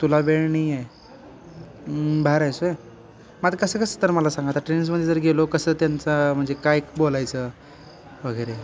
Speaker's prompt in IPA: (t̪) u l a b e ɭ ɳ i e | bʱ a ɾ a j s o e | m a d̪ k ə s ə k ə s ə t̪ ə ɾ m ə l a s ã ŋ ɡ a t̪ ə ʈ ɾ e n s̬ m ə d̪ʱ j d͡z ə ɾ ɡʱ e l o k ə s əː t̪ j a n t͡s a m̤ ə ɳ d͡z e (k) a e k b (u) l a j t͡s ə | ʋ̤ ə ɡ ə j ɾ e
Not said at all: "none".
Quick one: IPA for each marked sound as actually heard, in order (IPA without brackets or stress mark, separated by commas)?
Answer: t̪, k, o